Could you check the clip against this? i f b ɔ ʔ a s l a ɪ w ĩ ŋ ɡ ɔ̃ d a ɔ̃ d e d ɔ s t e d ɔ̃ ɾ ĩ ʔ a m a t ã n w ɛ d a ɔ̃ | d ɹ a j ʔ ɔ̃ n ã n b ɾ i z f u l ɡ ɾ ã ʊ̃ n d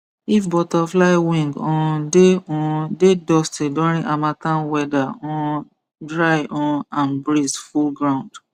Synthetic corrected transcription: i f b ɔ t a f l a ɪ w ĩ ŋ ɡ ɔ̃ d e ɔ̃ d e d ɔ s t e d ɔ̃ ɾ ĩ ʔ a m a t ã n w ɛ d a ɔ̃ | d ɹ a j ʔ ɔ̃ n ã n b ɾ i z f u l ɡ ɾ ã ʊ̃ n d